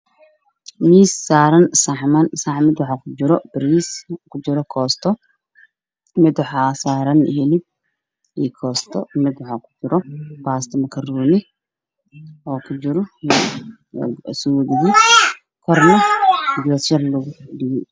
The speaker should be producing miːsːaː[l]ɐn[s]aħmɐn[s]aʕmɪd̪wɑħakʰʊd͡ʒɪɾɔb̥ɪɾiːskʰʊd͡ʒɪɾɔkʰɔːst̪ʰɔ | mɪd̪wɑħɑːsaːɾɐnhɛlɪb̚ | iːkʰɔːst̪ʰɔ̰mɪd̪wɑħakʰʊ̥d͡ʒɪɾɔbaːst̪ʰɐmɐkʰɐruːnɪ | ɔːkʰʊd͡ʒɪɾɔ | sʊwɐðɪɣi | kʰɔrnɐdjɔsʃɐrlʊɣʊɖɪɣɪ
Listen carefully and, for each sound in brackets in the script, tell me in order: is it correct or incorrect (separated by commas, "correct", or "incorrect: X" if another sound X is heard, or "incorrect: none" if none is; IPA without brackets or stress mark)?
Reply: incorrect: ɾ, correct, correct